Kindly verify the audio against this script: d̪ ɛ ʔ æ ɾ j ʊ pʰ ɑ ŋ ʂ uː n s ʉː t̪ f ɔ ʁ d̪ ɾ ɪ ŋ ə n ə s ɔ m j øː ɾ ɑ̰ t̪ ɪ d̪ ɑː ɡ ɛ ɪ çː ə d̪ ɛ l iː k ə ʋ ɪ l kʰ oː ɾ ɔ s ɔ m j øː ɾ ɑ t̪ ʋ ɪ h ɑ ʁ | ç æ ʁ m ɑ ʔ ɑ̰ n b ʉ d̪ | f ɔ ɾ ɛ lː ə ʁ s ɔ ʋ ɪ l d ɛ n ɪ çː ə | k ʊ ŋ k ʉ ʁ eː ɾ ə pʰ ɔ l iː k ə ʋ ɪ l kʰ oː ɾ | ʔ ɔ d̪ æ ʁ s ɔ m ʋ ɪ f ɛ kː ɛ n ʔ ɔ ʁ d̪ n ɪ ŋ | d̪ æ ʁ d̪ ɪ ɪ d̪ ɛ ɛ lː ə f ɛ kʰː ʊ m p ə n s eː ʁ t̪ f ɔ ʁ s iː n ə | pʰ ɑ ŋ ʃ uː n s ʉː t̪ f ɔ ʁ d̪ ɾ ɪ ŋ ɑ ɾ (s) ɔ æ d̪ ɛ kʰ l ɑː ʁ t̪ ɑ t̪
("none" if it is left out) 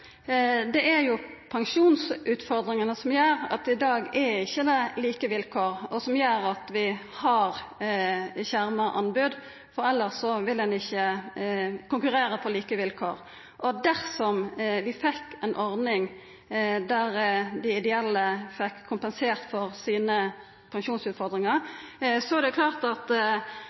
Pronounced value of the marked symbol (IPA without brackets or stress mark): s